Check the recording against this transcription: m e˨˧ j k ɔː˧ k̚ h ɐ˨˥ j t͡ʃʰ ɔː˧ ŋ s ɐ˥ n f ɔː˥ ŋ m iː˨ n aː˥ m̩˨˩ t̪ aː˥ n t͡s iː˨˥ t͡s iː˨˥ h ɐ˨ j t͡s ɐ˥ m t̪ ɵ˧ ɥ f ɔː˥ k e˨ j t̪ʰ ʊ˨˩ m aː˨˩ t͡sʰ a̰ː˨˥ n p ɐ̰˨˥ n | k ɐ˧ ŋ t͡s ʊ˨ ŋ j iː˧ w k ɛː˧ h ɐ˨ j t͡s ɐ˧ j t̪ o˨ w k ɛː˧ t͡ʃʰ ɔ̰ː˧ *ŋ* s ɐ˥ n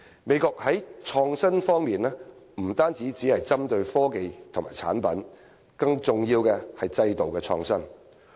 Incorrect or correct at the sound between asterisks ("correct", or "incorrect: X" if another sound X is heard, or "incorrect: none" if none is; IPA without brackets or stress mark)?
correct